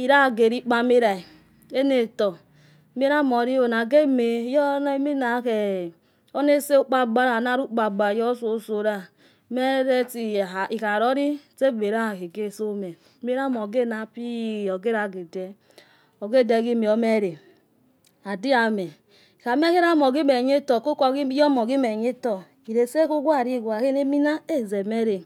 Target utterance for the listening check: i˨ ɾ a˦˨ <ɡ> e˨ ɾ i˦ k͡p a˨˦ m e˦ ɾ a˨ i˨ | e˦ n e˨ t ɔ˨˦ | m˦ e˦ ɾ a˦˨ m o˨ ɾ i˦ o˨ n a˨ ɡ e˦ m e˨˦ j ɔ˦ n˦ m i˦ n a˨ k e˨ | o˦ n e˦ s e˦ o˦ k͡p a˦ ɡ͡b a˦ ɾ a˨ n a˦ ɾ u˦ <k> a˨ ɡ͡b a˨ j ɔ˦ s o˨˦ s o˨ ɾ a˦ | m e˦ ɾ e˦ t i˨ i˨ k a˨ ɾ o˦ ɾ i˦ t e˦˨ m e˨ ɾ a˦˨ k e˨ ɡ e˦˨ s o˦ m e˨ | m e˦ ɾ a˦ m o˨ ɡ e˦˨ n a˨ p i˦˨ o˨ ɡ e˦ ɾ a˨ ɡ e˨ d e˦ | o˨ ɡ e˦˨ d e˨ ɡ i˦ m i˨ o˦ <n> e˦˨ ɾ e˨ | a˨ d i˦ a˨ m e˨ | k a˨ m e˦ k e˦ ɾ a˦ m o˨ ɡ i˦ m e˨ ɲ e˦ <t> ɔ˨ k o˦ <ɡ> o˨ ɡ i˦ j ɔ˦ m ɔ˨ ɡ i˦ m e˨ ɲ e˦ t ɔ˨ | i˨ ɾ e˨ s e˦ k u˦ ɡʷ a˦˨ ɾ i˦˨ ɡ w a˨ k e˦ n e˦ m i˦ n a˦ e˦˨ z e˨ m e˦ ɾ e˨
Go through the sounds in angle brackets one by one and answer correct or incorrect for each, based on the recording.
correct, incorrect, incorrect, correct, incorrect

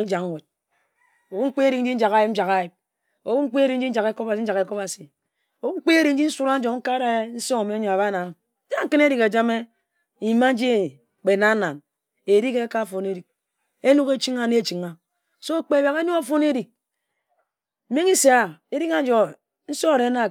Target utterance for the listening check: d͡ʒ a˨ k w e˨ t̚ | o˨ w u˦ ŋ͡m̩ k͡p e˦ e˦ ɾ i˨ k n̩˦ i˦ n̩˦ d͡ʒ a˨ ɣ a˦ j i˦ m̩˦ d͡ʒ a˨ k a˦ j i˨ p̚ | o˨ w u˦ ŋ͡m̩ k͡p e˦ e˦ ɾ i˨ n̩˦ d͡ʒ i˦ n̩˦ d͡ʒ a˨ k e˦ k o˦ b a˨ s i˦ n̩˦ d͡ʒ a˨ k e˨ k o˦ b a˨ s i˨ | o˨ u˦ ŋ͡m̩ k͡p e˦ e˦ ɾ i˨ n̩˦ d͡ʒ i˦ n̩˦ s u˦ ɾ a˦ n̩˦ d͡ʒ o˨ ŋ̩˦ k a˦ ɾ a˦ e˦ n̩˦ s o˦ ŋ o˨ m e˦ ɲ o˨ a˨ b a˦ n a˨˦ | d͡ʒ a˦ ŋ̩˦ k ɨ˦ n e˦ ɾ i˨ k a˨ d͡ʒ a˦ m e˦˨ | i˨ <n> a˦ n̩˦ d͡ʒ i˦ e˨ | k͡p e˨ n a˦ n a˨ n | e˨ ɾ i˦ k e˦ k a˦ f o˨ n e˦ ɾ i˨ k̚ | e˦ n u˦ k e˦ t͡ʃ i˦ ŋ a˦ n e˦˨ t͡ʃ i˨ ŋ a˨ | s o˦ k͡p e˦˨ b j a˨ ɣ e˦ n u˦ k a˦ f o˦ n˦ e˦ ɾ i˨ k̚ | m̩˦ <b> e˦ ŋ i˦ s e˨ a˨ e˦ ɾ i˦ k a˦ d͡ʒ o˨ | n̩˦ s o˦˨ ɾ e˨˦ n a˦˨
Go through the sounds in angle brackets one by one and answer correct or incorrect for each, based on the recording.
incorrect, incorrect

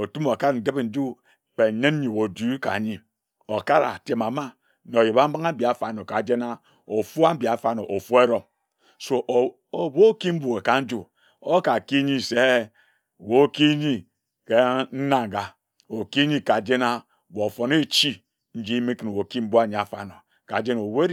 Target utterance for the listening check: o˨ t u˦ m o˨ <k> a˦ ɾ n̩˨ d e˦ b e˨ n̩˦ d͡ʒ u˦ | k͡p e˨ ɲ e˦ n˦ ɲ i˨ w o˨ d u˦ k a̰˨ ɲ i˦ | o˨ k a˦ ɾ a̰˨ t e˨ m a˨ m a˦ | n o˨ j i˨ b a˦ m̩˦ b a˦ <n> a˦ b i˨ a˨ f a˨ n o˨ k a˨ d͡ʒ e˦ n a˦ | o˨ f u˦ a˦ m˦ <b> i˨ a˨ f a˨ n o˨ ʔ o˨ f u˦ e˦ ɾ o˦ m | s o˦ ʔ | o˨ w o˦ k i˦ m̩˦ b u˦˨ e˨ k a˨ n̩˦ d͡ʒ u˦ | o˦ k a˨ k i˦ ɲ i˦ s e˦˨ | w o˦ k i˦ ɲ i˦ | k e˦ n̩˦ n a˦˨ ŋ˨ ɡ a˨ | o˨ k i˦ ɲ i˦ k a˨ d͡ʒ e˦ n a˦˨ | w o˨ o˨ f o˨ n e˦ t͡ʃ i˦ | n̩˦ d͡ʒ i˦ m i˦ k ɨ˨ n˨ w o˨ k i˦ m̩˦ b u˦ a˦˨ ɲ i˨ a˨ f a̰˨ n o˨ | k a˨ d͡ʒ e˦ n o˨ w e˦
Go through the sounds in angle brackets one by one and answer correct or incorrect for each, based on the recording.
correct, incorrect, correct

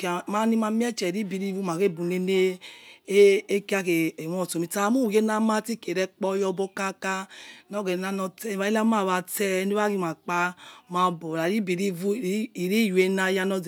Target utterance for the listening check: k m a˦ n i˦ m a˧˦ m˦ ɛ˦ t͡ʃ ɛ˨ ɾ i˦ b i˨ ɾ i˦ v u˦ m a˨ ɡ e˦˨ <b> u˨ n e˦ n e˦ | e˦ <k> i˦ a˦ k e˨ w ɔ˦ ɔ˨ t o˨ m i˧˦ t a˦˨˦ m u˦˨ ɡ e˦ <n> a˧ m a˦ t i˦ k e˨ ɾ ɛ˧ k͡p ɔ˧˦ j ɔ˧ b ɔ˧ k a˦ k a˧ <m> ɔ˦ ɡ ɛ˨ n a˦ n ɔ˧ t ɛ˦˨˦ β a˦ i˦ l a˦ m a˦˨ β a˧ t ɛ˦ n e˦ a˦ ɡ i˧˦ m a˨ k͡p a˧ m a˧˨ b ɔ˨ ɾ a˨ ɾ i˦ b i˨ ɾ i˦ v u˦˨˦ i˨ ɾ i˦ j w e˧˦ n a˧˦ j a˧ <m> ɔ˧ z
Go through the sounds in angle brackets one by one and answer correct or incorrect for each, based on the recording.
correct, correct, correct, incorrect, incorrect

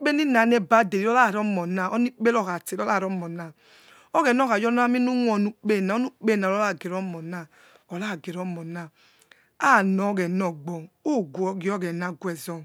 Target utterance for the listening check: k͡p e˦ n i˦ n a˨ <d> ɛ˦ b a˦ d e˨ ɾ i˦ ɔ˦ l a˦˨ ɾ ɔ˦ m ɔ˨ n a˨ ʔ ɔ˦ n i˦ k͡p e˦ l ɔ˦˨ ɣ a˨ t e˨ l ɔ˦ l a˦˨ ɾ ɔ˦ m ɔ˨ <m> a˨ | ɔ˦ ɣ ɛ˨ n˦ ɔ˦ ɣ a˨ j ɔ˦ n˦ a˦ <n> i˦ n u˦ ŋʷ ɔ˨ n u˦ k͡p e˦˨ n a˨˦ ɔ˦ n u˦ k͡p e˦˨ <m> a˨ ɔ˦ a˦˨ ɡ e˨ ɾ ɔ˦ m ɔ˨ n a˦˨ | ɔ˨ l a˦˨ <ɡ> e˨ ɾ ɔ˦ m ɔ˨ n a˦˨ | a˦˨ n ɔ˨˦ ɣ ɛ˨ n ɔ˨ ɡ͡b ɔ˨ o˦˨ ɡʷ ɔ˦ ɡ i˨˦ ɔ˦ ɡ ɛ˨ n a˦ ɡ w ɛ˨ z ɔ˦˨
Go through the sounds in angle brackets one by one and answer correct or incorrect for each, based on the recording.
incorrect, incorrect, incorrect, incorrect, correct

